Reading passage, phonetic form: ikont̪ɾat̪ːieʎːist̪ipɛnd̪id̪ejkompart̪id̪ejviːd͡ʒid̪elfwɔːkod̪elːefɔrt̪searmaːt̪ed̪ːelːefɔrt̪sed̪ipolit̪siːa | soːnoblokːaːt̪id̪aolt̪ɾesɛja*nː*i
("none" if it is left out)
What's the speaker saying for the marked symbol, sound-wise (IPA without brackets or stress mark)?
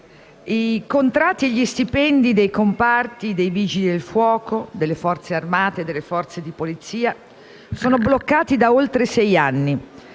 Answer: nː